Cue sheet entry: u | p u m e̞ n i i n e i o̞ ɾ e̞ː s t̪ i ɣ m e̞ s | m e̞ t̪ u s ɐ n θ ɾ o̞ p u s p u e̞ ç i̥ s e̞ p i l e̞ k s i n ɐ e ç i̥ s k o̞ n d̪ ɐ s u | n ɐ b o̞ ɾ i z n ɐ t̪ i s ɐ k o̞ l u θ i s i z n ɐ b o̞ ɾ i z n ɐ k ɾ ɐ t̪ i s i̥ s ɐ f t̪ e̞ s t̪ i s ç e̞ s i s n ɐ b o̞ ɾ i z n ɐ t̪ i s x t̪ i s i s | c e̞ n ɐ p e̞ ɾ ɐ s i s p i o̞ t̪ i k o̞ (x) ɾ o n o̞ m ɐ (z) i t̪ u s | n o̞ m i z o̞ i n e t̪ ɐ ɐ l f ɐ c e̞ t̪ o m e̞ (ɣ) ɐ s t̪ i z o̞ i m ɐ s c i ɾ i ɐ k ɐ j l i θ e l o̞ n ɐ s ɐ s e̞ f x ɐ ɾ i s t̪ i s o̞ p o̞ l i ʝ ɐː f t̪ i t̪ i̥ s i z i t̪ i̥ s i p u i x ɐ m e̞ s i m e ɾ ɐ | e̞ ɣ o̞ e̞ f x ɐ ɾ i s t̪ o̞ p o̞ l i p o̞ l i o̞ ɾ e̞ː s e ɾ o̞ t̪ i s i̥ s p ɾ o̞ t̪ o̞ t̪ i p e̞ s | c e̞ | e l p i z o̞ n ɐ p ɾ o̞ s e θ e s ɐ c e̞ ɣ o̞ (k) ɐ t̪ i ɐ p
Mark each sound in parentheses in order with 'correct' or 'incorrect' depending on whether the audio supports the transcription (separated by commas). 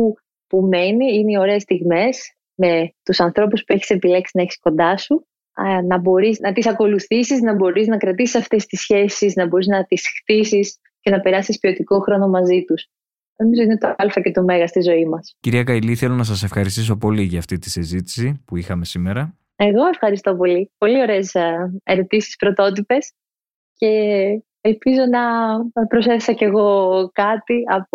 correct, correct, correct, correct